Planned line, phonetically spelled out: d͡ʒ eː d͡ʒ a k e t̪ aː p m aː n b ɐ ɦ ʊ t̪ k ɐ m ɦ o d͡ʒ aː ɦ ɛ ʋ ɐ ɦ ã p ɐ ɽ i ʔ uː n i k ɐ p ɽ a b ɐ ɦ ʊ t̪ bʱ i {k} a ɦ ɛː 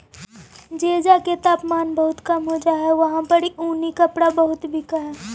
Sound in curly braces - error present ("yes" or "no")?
no